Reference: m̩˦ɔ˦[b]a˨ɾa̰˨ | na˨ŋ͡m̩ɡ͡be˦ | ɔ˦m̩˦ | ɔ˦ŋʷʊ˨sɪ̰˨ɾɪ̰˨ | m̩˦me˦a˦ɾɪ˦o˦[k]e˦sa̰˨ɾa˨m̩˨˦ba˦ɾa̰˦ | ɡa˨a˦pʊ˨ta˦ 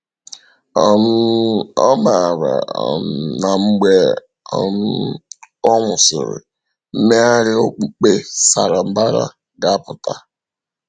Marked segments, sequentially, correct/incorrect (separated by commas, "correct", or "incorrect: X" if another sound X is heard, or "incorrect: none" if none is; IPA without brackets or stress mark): incorrect: m, incorrect: k͡p